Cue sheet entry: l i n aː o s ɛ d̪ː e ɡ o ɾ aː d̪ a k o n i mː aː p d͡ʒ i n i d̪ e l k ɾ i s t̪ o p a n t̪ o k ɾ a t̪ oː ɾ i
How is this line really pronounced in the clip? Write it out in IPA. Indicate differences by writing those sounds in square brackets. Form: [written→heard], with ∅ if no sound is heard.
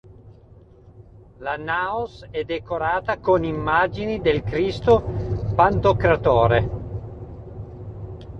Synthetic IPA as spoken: l [i→a] n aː o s ɛ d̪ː e [ɡ→k] o ɾ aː [d̪→t̪] a k o n i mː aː [p→∅] d͡ʒ i n i d̪ e l k ɾ i s t̪ o p a n t̪ o k ɾ a t̪ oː ɾ [i→e]

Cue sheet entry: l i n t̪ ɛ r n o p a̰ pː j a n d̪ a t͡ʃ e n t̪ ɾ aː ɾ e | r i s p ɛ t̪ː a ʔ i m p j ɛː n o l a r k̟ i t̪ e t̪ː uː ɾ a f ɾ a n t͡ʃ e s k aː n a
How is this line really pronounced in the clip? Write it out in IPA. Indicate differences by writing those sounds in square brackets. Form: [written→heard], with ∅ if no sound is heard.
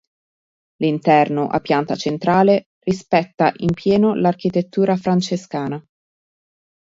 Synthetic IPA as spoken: l i n t̪ ɛ r n o [p→ʔ] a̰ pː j a n [d̪→t̪] a t͡ʃ e n t̪ ɾ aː [ɾ→l] e | r i s p ɛ t̪ː a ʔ i m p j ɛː n o l a r k̟ i t̪ e t̪ː uː ɾ a f ɾ a n t͡ʃ e s k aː n a

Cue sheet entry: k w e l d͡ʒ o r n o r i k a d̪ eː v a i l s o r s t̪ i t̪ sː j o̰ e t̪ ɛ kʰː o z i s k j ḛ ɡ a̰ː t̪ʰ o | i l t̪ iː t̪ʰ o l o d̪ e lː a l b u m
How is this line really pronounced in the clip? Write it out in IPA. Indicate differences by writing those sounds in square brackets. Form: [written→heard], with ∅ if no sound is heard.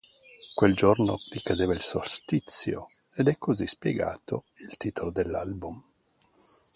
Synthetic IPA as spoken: k w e l d͡ʒ o r n o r i k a d̪ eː v a i l s o r s t̪ i t̪ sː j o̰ e [t̪→d̪] ɛ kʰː o z i s [k→p] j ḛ ɡ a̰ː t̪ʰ o | i l t̪ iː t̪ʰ o l o d̪ e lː a l b u m

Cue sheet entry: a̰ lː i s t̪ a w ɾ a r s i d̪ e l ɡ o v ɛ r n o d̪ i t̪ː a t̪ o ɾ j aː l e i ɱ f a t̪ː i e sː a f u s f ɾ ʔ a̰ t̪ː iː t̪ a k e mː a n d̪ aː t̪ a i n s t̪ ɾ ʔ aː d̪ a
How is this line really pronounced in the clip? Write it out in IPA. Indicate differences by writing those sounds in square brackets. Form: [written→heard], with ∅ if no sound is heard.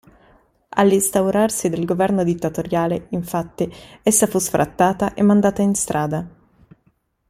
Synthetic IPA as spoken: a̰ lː i s t̪ a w ɾ a r s i d̪ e l ɡ o v ɛ r n o d̪ i t̪ː a t̪ o ɾ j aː l e i ɱ f a t̪ː i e sː a f u s f ɾ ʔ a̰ t̪ː [iː→aː] t̪ a [k→ʔ] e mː a n d̪ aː t̪ a i n s t̪ ɾ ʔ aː d̪ a

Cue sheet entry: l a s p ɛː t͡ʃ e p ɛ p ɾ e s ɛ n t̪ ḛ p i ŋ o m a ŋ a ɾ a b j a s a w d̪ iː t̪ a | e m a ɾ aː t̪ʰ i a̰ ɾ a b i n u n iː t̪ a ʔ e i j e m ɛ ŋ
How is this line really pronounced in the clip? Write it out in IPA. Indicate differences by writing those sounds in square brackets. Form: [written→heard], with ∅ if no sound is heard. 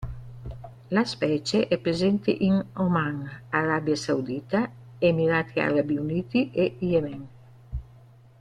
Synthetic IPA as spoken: l a s p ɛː t͡ʃ e [p→ʔ] ɛ p ɾ e [s→z] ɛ n t̪ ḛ [p→ʔ] i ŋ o m a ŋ a ɾ a b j a s a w d̪ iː t̪ a | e m [a→i] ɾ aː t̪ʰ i a̰ ɾ a b i [n→∅] u n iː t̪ [a→i] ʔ e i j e m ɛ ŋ

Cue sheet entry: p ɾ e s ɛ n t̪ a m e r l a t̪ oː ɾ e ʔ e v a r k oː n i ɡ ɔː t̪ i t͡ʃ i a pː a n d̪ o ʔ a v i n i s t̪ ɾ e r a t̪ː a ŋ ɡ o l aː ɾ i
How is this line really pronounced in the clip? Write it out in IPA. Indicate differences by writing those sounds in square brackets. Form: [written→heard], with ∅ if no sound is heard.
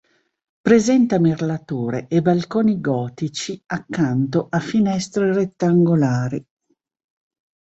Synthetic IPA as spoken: p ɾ e [s→z] ɛ n t̪ a m e r l a t̪ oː ɾ e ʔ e [v→b] a [r→l] k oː n i ɡ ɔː t̪ i t͡ʃ i a [pː→kː] a n [d̪→t̪] o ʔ a [v→f] i n [i→ɛ] s t̪ ɾ e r [a→e] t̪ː a ŋ ɡ o l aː ɾ i

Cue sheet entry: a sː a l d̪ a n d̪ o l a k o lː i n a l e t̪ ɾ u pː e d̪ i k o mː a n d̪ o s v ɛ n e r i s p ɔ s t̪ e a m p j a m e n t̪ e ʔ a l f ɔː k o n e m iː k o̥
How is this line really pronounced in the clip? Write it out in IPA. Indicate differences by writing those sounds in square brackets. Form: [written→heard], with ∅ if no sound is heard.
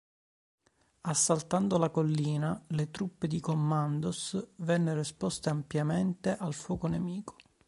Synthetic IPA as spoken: a sː a l [d̪→t̪] a n d̪ o l a k o lː [i→iː] n a l e t̪ ɾ u pː e d̪ i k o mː a n d̪ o s v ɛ [n→nː] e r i s p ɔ s t̪ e a m p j a m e n t̪ e ʔ a l f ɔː k o n e m iː k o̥

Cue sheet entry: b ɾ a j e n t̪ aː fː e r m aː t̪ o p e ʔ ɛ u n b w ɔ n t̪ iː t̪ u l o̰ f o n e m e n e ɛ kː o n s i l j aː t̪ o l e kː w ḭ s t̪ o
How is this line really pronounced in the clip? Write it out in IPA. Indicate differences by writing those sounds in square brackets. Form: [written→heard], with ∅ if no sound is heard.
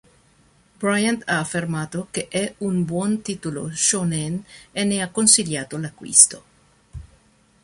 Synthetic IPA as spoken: b ɾ a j [e→a] n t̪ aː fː e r m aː t̪ o [p→k] e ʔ ɛ u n b w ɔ n t̪ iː t̪ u l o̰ [f→ʃ] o n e [m→n] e n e [ɛ→a] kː o n s i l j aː t̪ o l [e→a] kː w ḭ s t̪ o

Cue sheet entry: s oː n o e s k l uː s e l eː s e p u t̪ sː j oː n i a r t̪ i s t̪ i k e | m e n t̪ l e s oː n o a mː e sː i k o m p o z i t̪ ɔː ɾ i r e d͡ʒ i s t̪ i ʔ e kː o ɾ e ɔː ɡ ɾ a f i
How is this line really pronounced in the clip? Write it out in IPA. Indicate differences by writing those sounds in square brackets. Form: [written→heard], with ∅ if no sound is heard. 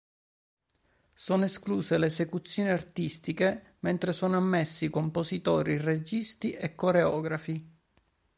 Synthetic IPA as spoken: s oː n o e s k l uː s e l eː s e [p→k] u t̪ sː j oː n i a r t̪ i s t̪ i k e | m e n t̪ [l→ɾ] e s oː n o a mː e sː i k o m p o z i t̪ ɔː ɾ i r e d͡ʒ i s t̪ i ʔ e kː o ɾ e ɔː ɡ ɾ a f i

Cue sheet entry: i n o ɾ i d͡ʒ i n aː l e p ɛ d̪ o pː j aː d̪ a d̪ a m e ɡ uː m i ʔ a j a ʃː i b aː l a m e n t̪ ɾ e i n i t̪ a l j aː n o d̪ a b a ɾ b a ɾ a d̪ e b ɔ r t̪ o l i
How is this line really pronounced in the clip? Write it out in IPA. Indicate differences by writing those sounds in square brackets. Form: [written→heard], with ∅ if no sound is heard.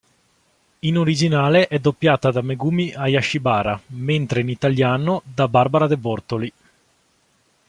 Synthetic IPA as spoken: i n o ɾ i d͡ʒ i n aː l e [p→ʔ] ɛ d̪ o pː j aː [d̪→t̪] a d̪ a m e ɡ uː m i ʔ a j a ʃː i b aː [l→ɾ] a m e n t̪ ɾ e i n i t̪ a l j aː n o d̪ a b a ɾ b a ɾ a d̪ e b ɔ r t̪ o l i

